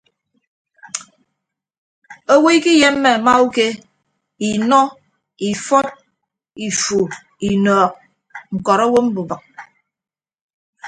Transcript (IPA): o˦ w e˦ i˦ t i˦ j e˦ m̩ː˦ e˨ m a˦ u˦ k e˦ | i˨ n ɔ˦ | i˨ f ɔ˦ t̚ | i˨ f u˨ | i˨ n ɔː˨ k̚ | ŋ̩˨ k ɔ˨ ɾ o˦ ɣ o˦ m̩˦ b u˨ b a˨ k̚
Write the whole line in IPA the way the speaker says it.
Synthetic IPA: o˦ w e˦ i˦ k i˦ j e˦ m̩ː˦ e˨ m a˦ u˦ k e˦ | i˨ n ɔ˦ | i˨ f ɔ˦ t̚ | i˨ f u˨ | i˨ n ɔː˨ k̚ | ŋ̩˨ k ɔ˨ ɾ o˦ w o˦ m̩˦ b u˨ b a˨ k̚